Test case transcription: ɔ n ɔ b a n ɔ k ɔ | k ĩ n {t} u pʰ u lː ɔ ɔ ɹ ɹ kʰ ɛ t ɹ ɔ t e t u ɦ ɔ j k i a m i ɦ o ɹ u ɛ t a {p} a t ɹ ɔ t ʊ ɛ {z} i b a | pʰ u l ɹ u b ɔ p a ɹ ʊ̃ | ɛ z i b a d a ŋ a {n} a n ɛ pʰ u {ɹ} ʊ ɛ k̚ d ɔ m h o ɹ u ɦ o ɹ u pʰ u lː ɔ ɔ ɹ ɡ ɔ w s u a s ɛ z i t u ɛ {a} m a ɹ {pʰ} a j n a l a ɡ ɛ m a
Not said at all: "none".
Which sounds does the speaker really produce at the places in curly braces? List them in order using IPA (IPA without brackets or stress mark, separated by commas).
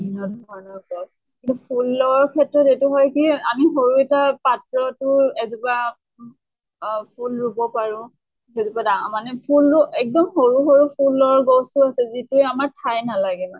t, p, z, m, l, a, tʰ